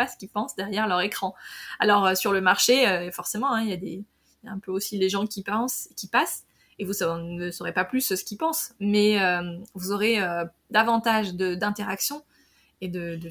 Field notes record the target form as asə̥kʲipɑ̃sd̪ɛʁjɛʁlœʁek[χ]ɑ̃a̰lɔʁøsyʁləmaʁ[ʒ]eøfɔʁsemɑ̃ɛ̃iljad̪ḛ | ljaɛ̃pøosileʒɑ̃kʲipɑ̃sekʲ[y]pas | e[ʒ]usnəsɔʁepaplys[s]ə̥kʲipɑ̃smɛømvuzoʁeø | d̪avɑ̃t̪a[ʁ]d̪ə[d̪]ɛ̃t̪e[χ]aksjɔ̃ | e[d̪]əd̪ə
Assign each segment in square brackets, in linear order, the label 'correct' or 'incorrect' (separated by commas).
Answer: correct, incorrect, incorrect, incorrect, correct, incorrect, correct, incorrect, correct